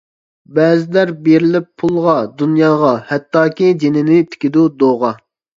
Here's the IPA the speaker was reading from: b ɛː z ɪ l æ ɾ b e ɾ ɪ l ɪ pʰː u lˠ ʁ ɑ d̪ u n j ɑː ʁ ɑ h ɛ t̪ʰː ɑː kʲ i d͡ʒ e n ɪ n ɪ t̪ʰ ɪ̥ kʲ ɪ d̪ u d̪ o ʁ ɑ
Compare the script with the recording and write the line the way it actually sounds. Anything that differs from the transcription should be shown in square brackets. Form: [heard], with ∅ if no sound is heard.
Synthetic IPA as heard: b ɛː z ɪ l æ ɾ b e ɾ ɪ l ɪ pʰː u lˠ ʁ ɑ d̪ u n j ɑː ʁ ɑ h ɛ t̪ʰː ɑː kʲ i d͡ʒ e n ɪ n ɪ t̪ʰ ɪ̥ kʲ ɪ d̪ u d̪ o ʁ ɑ